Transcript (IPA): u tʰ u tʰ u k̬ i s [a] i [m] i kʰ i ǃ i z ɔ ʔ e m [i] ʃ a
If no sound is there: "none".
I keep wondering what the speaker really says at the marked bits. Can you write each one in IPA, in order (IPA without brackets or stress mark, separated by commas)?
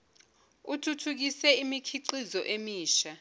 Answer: ɛ, m, iː